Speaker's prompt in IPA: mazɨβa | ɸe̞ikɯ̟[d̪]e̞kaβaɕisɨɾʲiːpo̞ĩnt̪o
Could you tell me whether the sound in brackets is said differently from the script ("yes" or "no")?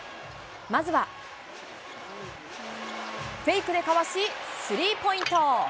no